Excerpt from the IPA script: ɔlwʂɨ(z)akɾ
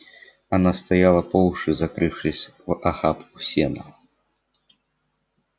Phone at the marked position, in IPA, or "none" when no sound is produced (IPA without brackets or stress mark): z